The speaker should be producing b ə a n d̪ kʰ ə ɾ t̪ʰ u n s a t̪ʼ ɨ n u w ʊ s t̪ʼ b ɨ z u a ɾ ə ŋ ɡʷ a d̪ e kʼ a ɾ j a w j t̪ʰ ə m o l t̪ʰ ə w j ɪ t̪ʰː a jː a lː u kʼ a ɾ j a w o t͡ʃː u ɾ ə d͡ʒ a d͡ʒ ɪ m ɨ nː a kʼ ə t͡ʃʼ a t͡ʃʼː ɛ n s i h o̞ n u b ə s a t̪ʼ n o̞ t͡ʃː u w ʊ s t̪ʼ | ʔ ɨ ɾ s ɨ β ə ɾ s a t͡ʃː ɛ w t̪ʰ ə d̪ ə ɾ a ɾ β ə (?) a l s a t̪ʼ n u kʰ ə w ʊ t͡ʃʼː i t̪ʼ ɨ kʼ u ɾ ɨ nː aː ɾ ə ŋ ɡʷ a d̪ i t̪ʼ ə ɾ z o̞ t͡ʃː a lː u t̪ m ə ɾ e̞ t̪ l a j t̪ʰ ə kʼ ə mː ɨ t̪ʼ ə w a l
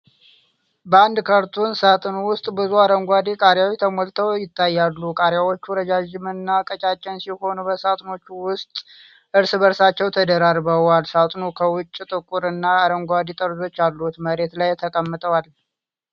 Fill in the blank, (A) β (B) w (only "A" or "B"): B